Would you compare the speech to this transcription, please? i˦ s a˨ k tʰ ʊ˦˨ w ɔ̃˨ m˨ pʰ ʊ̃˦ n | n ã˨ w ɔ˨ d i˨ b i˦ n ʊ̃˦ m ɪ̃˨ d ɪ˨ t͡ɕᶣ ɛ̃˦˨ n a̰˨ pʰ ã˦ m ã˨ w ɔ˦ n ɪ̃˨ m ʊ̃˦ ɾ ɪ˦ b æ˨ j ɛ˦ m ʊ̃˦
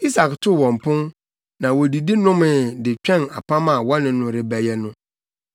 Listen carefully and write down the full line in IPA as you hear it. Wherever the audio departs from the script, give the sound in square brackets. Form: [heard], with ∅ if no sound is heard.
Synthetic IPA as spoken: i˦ s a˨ k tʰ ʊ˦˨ w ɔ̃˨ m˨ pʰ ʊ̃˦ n | n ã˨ w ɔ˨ d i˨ [d] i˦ n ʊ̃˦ m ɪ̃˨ d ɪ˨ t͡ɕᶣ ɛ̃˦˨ n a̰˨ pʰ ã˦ m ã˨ w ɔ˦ n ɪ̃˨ [n] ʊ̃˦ ɾ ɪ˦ b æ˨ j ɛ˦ [n] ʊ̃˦